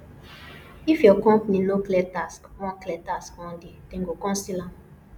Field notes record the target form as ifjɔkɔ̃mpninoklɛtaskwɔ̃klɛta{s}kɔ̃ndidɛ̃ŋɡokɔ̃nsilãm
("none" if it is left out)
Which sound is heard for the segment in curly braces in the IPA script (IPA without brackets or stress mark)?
s